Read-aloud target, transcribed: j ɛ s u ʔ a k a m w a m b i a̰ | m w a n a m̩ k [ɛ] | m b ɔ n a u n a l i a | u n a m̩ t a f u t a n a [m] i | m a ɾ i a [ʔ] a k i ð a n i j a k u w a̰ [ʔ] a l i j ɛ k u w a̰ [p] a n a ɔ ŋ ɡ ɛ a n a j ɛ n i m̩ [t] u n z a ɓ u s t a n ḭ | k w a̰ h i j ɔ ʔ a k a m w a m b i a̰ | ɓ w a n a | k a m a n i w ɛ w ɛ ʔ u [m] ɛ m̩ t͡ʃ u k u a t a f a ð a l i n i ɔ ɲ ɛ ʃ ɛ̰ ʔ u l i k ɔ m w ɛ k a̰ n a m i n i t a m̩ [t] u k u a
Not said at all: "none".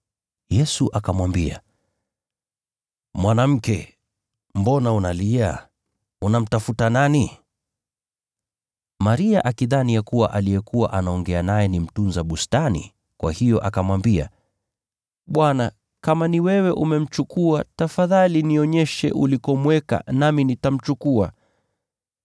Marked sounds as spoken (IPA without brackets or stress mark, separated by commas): ɛ, n, ʔ, ʔ, ʔ, t, m, t͡ʃ